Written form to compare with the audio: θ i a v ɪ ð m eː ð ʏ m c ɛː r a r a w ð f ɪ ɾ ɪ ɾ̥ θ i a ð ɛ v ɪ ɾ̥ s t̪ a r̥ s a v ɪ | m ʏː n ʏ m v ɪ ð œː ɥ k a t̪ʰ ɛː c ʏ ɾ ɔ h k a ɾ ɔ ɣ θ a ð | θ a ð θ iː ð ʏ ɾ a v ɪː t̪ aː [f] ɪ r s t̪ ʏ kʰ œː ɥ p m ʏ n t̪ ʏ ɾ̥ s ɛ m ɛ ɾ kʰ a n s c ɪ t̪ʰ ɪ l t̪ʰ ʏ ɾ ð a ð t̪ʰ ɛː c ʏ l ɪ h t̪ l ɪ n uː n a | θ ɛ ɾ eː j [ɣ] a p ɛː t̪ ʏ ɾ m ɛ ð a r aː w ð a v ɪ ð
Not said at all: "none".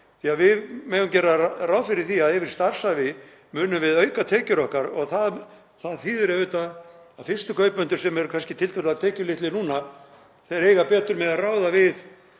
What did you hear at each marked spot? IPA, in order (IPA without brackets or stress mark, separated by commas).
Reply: f, ɣ